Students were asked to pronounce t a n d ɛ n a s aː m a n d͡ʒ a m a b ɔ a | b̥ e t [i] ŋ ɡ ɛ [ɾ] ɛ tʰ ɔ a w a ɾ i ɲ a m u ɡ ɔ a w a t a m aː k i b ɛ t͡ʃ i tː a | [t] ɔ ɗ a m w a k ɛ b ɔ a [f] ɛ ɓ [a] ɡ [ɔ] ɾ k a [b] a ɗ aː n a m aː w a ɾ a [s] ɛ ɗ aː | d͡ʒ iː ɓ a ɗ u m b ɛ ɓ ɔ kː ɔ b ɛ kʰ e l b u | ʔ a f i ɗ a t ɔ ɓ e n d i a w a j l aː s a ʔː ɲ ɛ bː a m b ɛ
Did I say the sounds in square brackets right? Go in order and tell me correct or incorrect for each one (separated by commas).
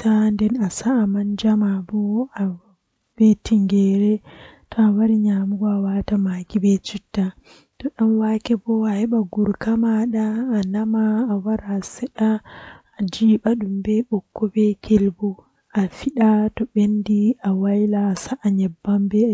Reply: correct, correct, correct, incorrect, correct, incorrect, incorrect, correct